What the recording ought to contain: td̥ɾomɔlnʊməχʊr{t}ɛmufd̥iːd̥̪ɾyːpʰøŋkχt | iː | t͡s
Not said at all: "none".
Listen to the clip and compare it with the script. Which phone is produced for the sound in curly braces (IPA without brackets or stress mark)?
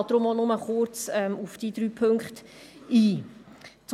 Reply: t͡s